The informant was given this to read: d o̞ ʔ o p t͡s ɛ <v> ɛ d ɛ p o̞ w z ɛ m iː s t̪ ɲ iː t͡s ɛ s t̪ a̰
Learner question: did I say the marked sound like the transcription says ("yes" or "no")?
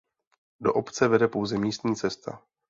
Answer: yes